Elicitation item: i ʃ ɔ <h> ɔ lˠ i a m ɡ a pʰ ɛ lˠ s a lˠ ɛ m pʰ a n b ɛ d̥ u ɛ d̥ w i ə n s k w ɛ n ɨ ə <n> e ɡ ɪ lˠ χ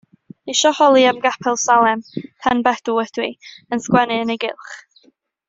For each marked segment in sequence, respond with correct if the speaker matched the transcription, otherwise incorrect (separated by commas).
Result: correct, correct